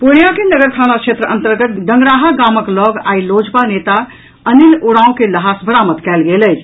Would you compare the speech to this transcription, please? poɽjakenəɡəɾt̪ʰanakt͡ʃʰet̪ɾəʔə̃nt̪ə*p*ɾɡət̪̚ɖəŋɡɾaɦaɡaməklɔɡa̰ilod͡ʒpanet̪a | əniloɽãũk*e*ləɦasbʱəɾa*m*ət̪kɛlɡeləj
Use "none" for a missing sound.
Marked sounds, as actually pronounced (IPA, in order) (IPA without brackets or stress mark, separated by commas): none, e, m